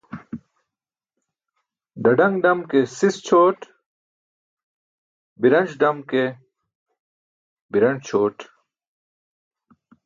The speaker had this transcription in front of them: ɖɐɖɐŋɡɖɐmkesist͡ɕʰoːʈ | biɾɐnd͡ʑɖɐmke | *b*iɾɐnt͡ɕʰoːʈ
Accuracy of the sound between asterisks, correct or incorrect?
correct